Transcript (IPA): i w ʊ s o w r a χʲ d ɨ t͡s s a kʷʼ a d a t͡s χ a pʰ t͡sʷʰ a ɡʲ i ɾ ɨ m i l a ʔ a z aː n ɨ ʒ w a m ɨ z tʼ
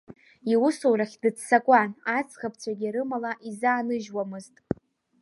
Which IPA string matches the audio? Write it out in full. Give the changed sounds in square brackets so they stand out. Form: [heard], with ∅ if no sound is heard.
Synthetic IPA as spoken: i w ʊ s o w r a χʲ d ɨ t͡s s a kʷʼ a [n] a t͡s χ a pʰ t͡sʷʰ a ɡʲ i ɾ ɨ m [a] l a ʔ [i] z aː n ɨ ʒ w a m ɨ z tʼ